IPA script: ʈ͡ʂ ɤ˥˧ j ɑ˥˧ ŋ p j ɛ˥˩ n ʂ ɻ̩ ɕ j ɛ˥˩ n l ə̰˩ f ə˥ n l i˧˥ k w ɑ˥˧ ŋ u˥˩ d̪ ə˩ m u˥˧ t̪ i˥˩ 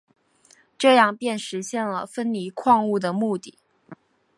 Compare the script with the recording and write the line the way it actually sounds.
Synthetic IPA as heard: ʈ͡ʂ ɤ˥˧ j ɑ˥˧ ŋ p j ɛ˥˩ n ʂ ɻ̩ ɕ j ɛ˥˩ n l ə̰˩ f ə˥ n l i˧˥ kʰ w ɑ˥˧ ŋ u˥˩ d̪ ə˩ m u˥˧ t̪ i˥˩

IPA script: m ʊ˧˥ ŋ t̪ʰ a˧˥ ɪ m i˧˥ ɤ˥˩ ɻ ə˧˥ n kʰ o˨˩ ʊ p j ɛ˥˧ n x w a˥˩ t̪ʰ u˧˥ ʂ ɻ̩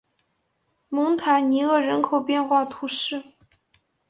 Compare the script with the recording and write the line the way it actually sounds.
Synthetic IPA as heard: m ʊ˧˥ ŋ t̪ʰ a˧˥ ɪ n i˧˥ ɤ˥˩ ɻ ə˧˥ n kʰ o˨˩ ʊ p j ɛ˥˧ n x w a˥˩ t̪ʰ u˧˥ ʂ ɻ̩

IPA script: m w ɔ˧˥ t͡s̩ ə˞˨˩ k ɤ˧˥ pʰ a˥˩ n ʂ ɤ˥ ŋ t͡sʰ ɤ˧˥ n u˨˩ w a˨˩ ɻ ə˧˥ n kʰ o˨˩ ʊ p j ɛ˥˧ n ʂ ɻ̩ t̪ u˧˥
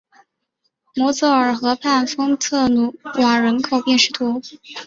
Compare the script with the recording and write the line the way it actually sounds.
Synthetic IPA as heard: m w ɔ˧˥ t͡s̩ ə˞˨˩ x ɤ˧˥ pʰ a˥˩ n f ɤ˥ ŋ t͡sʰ ɤ˥˩ n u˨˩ w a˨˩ ɻ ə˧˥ n kʰ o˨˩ ʊ p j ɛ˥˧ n ʂ ɻ̩ t̪ʰ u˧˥

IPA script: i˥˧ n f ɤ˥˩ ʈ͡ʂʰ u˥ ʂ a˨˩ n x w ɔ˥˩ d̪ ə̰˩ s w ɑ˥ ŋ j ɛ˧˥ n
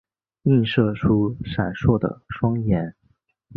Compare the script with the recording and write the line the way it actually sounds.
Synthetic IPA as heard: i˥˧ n ʂ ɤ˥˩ ʈ͡ʂʰ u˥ ʂ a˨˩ n ʂ w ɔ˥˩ d̪ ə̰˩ ʂ w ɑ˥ ŋ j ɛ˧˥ n

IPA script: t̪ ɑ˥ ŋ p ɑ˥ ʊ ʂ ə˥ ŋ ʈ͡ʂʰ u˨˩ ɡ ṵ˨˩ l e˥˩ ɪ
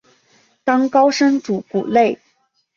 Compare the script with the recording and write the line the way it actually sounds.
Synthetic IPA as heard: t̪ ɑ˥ ŋ k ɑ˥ ʊ ʂ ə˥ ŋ ʈ͡ʂ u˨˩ k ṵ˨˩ l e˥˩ ɪ

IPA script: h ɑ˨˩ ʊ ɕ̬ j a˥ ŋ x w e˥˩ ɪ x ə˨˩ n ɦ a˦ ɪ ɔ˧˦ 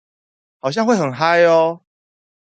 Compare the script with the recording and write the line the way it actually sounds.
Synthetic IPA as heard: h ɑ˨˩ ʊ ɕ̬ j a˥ ŋ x w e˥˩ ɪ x ə˨˩ n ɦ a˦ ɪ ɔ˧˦

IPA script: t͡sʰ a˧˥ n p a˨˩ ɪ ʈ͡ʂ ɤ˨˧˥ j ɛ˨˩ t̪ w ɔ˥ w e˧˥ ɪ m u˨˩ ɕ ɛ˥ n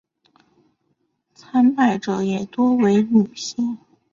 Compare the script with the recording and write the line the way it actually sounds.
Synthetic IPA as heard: t͡sʰ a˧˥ n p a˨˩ ɪ ʈ͡ʂ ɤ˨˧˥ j ɛ˨˩ t̪ w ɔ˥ w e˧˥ ɪ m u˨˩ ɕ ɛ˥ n

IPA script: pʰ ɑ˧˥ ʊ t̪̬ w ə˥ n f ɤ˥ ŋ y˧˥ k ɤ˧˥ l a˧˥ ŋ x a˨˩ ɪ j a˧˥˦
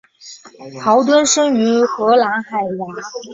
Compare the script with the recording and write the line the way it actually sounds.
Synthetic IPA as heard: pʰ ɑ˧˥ ʊ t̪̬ w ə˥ n ʂ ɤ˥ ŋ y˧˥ x ɤ˧˥ l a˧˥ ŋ x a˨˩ ɪ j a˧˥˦

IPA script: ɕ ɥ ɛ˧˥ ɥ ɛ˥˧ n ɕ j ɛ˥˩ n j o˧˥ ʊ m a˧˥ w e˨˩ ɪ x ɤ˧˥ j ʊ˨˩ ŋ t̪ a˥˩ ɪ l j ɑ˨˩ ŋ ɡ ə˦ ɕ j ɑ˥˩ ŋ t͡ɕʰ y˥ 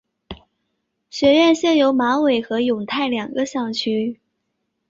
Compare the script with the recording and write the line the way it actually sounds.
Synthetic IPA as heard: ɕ ɥ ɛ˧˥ ɥ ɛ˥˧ n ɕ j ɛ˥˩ n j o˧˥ ʊ m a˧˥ w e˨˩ ɪ x ɤ˧˥ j ʊ˨˩ ŋ t̪ʰ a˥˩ ɪ l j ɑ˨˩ ŋ ɡ ə˦ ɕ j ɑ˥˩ ŋ t͡ɕʰ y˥

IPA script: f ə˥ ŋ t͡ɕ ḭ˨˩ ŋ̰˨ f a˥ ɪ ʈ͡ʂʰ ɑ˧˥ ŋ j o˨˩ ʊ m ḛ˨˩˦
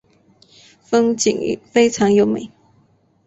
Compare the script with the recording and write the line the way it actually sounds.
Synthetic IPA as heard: f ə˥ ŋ t͡ɕ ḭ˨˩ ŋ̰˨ f e˥ ɪ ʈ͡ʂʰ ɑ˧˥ ŋ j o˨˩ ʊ m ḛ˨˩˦

